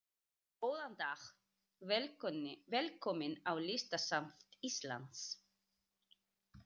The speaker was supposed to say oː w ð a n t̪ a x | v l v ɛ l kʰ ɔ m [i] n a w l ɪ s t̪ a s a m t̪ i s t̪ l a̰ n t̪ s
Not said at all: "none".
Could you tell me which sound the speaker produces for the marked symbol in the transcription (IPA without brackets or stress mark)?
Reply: ɪ